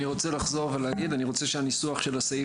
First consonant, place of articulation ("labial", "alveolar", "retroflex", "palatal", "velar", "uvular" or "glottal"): uvular